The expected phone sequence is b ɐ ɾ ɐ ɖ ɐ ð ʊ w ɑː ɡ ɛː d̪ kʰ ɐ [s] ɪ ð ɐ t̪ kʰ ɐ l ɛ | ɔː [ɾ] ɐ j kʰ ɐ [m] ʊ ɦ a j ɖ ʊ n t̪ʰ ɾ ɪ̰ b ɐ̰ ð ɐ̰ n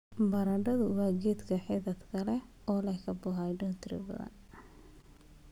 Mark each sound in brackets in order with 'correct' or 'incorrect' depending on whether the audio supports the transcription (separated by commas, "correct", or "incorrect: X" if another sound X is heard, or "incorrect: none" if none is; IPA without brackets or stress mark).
incorrect: ħ, incorrect: l, incorrect: b